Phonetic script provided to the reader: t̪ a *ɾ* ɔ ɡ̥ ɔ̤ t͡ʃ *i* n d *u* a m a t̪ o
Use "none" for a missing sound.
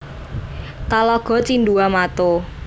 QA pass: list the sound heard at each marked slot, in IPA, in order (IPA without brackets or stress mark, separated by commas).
l, i, u